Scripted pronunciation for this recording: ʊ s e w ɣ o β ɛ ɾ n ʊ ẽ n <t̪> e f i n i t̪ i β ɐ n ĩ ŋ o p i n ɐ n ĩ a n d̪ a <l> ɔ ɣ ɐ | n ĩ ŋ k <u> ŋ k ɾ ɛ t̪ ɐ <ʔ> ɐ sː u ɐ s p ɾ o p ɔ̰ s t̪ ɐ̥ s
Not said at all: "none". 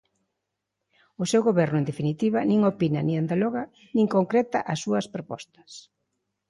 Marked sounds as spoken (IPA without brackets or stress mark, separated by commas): d̪, l, o, ʔ